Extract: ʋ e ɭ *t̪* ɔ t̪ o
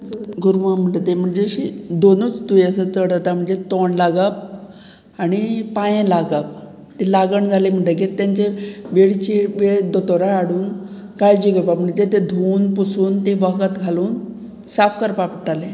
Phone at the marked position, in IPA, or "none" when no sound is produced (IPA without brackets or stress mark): d̪